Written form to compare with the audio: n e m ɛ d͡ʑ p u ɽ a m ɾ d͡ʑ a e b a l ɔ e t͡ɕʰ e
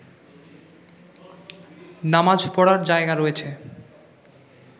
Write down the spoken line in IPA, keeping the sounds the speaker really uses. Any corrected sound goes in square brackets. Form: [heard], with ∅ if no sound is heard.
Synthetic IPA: n [a] m [a] d͡ʑ p [ɔ] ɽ a [∅] ɾ d͡ʑ a e [ɡ] a [ɾ] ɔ e t͡ɕʰ e